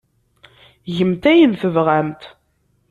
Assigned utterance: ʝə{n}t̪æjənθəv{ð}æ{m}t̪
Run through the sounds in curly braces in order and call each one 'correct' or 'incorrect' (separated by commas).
incorrect, incorrect, correct